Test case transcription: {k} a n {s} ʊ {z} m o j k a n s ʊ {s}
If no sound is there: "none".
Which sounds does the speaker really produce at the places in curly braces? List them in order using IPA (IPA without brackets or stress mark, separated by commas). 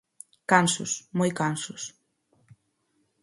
k, s, s, s